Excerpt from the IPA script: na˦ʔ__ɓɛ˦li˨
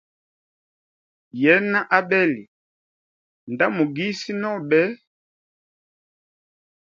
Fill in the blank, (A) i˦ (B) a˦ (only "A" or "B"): B